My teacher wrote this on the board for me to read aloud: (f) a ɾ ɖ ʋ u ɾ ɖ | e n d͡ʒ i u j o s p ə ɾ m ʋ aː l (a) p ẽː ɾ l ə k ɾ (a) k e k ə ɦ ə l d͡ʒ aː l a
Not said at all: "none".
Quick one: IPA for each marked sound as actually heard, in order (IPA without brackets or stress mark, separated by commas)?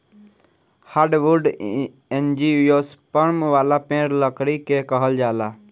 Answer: h, a, i